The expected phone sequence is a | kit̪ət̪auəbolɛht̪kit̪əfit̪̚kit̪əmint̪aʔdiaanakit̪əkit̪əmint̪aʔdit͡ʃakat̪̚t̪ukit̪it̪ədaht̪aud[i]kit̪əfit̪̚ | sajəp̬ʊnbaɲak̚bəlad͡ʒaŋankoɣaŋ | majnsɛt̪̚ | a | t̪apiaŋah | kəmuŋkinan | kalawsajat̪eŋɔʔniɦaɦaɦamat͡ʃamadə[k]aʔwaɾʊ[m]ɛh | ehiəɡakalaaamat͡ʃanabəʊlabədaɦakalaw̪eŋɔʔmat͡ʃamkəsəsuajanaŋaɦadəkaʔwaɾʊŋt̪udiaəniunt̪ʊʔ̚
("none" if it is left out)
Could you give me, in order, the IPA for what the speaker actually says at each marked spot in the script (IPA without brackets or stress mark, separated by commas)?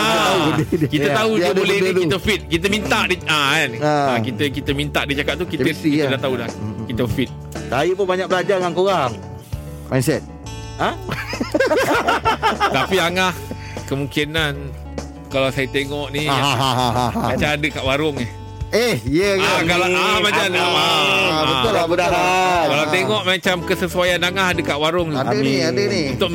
a, k, ŋ